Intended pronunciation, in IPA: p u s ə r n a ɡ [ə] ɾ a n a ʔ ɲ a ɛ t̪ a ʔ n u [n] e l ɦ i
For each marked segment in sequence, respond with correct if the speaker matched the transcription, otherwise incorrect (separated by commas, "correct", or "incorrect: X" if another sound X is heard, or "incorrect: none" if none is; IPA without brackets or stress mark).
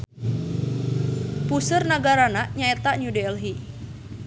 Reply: incorrect: a, incorrect: d